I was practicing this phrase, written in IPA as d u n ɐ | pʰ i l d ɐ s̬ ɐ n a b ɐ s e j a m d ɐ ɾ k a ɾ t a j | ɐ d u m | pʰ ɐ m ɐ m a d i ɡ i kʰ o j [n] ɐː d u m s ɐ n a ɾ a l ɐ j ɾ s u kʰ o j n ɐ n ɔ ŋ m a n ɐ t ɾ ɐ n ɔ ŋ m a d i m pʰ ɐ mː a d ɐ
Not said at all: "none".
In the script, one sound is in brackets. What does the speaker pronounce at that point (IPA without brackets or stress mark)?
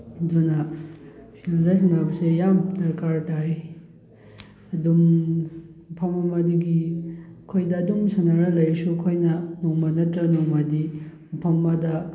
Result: d